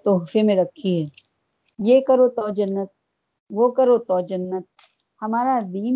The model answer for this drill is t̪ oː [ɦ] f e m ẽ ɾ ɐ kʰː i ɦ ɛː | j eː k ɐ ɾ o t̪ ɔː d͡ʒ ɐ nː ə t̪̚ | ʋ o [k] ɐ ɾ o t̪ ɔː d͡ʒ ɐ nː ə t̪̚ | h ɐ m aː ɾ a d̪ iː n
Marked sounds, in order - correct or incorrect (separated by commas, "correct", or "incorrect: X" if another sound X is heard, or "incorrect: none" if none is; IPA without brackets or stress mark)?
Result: correct, correct